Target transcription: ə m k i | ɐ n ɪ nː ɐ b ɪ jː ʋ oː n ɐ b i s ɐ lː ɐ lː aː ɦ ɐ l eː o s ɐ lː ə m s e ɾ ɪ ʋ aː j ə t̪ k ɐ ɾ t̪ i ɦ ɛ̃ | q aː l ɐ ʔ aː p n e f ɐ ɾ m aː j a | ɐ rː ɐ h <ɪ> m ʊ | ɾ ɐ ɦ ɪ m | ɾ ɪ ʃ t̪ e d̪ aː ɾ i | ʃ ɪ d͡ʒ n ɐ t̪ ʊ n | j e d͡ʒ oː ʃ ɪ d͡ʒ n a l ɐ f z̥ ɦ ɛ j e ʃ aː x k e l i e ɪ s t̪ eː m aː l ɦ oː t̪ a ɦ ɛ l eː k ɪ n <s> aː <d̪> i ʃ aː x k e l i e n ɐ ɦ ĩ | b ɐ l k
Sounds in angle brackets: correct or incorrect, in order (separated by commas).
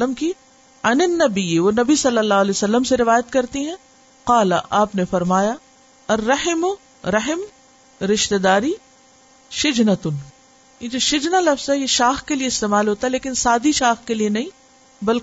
correct, correct, correct